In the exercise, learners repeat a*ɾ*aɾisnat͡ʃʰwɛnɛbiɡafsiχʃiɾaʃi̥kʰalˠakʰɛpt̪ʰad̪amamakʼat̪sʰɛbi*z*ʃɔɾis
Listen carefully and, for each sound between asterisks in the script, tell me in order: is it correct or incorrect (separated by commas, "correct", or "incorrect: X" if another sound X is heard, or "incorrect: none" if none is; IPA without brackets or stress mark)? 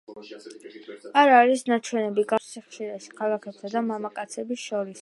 correct, incorrect: s